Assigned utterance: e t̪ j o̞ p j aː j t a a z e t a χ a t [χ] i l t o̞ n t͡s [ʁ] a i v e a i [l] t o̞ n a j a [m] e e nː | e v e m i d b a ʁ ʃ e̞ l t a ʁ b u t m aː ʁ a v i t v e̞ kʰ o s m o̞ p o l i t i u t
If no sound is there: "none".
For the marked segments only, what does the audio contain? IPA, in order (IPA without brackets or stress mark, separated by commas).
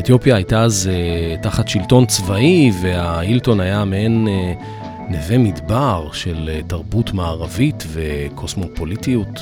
ʃ, v, l, m